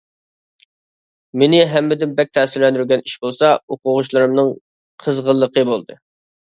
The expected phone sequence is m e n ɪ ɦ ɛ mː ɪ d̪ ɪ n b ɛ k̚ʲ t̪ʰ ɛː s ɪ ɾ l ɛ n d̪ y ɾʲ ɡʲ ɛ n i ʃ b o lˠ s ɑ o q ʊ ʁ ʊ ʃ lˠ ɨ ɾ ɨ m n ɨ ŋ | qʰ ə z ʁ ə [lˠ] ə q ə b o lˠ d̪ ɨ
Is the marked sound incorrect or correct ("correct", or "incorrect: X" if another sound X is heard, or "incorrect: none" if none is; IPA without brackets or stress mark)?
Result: incorrect: lˠː